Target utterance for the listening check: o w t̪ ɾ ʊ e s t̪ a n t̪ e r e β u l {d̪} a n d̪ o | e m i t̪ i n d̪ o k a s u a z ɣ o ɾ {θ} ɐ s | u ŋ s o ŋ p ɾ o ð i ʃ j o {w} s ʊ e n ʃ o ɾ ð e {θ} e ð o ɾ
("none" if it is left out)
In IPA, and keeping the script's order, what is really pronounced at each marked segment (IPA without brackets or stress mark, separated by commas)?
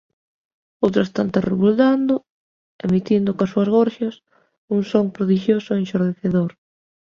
d̪, ʃ, none, θ